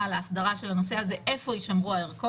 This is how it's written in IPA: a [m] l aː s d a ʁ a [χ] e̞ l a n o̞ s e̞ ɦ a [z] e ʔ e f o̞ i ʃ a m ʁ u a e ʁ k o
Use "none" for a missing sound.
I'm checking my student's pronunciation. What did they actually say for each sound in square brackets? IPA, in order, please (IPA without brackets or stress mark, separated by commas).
none, ʃ, z